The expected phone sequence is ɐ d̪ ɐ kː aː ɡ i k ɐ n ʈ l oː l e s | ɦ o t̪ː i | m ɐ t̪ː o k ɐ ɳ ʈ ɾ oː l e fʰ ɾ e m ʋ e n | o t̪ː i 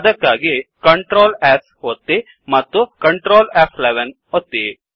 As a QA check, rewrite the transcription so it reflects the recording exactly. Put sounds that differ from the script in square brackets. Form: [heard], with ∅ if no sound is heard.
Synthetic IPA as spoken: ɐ d̪ ɐ kː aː ɡ i k ɐ [ɳ] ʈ [ɾ] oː l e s | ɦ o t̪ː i | m ɐ t̪ː [u] k ɐ ɳ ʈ ɾ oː l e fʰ [l] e [∅] ʋ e n | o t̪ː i